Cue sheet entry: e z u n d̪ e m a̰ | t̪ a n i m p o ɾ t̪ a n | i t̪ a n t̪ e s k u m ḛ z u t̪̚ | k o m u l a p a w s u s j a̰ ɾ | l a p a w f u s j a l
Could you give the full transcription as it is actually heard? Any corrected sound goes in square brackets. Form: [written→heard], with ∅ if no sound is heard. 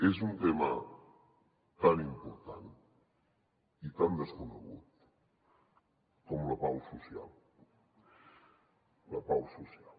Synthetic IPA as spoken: e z u n [d̪→t̪] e m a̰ | t̪ a n i m p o ɾ t̪ a n | i t̪ a n [t̪→d̪] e s k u [m→n] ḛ [z→ɣ] u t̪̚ | k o m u l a p a w s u s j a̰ [ɾ→l] | l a p a w [f→s] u s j a l